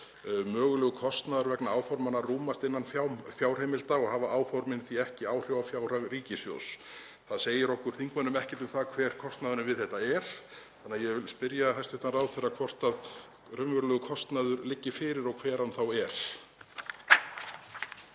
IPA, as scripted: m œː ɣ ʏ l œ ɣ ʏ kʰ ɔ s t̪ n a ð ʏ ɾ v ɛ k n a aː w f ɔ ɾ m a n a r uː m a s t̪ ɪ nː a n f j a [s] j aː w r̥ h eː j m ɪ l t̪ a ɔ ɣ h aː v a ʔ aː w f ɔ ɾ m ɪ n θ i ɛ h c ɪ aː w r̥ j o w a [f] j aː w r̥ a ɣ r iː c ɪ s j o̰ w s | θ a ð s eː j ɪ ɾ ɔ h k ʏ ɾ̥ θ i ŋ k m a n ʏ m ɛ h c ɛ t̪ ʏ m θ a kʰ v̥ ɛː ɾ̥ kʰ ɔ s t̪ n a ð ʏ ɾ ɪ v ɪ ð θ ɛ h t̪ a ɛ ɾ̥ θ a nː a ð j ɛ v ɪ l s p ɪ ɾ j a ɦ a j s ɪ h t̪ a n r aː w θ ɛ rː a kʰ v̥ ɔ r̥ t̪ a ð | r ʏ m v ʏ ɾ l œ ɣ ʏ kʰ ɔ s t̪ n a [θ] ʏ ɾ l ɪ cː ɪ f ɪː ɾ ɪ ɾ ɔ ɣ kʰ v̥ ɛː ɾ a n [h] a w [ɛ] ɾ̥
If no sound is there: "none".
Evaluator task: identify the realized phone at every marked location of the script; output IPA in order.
f, f, ð, θ, ɛ

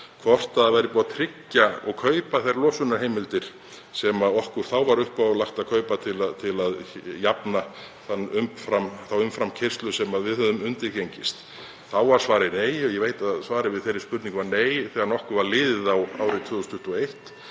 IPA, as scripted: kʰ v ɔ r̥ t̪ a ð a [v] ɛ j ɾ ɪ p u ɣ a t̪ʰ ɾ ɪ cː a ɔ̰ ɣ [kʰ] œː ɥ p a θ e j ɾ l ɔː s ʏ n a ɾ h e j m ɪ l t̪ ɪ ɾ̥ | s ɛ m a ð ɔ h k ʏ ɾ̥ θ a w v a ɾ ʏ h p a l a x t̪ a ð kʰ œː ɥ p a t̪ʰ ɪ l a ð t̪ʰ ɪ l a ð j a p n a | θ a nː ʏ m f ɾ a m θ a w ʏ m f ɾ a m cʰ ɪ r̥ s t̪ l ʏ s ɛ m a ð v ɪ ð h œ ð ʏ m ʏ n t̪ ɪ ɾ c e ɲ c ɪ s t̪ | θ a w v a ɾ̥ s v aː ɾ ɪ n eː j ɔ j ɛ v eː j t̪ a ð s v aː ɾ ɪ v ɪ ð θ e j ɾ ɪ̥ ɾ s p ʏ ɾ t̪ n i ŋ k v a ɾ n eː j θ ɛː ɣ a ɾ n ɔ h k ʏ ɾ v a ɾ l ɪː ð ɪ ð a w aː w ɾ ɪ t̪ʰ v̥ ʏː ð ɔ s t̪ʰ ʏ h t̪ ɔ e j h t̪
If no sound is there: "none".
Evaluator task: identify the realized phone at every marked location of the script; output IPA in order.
v, kʰ

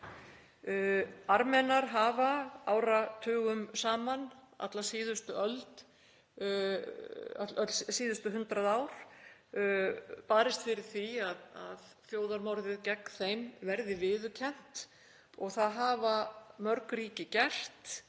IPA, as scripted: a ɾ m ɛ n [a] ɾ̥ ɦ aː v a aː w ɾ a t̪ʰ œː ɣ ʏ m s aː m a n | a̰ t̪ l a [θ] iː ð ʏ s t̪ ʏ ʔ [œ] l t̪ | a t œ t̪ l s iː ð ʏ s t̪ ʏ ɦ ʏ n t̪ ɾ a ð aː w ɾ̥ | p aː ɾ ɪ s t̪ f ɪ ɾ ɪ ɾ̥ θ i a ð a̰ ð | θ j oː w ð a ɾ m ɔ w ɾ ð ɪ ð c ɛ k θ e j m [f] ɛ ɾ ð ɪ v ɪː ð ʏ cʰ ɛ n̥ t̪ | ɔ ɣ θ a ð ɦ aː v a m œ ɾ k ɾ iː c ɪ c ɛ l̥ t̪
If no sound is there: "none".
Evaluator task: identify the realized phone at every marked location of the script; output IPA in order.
a, s, œ, v

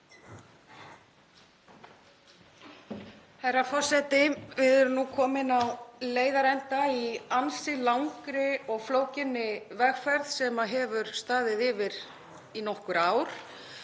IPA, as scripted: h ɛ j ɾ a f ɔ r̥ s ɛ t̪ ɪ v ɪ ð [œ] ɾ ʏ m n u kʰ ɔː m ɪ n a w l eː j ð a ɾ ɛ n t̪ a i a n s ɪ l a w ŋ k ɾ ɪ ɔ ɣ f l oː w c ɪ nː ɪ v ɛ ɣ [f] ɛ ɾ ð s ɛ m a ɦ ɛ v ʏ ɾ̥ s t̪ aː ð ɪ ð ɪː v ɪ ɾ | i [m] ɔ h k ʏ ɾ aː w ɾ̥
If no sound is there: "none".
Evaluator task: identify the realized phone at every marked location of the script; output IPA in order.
ɛ, f, n

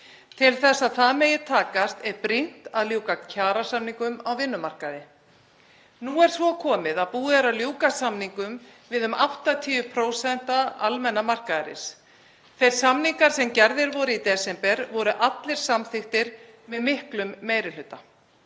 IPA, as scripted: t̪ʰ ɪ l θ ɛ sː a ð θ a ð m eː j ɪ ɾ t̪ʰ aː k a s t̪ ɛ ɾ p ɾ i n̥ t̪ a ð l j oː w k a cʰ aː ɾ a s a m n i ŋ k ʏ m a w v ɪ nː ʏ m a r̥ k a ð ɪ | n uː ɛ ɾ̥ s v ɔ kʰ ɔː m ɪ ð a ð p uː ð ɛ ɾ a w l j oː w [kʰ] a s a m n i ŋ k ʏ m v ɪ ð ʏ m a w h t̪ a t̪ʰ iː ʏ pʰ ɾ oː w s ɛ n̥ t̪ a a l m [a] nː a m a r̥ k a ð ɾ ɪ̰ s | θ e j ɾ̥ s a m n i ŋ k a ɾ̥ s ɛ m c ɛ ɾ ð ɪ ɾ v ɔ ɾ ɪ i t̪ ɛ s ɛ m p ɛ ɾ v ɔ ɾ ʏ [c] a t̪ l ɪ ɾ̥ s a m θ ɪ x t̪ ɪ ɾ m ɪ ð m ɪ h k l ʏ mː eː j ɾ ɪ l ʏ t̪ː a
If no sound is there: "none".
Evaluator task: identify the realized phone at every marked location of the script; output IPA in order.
k, ɛ, ʔ

